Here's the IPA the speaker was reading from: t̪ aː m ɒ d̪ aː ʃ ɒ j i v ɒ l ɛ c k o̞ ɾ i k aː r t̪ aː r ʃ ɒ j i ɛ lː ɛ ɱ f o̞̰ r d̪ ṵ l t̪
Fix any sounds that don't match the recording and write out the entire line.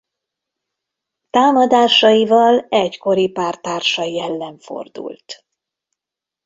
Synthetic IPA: t̪ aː m ɒ d̪ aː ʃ ɒ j i v ɒ l ɛ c k o̞ ɾ i p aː r t̪ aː r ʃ ɒ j i ɛ lː ɛ ɱ f o̞̰ r d̪ ṵ l t̪